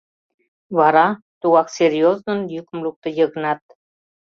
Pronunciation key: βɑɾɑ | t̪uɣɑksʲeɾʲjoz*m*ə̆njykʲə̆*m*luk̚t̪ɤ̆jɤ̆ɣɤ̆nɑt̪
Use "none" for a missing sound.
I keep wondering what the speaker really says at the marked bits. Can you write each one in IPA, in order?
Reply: n, m

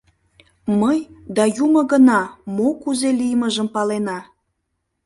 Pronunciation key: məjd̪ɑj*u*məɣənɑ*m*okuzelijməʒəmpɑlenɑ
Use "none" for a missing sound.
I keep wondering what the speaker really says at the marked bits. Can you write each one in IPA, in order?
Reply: u, m

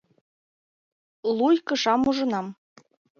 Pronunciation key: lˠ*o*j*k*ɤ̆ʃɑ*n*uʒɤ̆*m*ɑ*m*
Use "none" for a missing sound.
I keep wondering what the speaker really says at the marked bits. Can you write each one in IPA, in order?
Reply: u, k, m, n, m

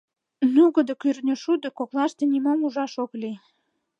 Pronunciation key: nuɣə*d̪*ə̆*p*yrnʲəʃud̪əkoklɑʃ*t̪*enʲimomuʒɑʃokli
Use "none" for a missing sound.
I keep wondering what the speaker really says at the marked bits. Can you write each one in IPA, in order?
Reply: d̪, k, t̪

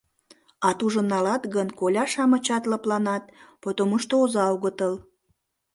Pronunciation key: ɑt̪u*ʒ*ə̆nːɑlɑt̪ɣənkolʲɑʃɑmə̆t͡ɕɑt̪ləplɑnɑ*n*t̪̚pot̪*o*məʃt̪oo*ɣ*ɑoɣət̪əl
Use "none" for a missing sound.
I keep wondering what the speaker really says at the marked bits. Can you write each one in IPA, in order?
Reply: ʒ, none, o, z

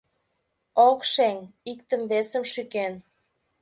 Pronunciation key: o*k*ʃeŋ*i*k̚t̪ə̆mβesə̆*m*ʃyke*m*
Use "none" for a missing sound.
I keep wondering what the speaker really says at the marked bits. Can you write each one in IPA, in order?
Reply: k, i, m, n

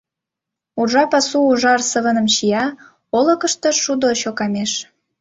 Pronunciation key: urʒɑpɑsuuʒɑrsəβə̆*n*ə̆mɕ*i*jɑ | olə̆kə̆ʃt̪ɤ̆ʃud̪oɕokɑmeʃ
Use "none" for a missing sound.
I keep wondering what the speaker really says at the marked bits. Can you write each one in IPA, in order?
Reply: n, i

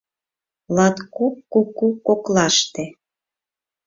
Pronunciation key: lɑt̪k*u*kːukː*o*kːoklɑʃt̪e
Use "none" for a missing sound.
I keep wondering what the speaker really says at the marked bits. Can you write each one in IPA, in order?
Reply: u, u

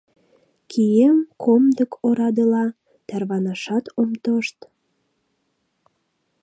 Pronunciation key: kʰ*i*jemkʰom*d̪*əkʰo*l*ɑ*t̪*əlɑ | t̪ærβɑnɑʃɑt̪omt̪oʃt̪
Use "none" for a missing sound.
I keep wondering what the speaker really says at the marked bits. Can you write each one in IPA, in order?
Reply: i, d̪, ɾ, d̪

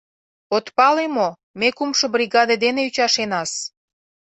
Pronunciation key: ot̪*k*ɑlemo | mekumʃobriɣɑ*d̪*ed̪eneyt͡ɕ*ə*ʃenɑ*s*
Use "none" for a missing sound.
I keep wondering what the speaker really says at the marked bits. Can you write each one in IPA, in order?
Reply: p, d̪, ɑ, s

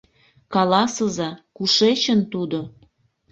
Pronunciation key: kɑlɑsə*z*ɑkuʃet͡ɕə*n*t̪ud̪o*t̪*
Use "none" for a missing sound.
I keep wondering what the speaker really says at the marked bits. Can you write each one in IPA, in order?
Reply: z, n, none

